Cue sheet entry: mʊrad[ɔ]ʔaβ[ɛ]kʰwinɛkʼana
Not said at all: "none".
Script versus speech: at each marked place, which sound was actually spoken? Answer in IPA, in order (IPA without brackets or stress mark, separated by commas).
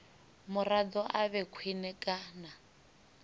ɔ, ɛ